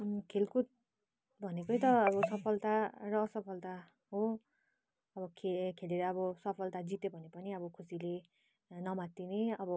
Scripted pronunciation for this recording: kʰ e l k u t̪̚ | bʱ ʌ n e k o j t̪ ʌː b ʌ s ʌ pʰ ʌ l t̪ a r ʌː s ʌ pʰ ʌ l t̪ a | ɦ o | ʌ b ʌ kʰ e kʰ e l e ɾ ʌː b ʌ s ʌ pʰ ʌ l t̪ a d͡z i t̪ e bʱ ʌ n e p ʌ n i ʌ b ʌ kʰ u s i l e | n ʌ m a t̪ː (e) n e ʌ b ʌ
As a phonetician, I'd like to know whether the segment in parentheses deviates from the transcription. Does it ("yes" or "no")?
yes